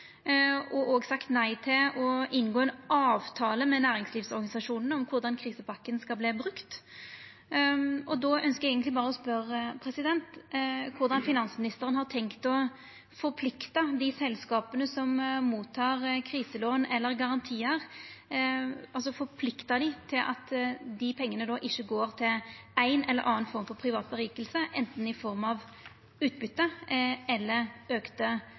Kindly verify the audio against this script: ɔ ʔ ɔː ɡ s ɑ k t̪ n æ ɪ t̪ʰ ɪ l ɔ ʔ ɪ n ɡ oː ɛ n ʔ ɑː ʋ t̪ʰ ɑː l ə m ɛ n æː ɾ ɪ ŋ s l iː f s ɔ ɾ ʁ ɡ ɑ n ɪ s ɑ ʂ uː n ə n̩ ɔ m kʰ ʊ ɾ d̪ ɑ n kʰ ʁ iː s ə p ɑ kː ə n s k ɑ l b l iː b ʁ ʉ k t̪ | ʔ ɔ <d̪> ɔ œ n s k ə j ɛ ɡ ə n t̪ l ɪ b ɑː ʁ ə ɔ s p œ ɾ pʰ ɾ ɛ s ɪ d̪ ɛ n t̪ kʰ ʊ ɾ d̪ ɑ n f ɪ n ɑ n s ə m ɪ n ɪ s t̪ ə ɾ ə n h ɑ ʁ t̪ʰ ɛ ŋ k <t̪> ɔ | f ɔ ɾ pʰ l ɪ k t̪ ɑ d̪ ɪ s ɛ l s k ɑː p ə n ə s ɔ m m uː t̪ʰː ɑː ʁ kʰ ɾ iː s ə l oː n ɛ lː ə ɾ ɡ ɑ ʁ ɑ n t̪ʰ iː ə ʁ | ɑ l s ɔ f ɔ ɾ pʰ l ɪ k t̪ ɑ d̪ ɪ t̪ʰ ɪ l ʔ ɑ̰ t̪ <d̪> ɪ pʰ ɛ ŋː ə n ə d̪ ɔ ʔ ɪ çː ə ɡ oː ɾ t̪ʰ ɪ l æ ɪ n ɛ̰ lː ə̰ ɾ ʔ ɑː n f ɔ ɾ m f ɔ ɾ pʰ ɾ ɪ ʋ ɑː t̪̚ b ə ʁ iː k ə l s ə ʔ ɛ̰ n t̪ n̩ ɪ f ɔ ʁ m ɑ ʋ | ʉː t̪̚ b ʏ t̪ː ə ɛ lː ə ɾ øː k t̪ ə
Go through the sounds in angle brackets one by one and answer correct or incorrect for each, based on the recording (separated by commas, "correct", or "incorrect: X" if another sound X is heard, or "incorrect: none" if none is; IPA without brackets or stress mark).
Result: correct, correct, correct